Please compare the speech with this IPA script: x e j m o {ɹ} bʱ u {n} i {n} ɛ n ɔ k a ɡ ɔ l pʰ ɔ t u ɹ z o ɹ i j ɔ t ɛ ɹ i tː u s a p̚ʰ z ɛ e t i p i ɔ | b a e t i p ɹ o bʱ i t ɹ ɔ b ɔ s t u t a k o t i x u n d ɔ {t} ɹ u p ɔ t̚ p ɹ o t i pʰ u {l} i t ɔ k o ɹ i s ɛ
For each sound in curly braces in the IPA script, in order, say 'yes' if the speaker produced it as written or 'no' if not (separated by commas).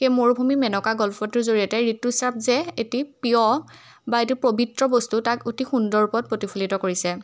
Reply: yes, no, no, no, yes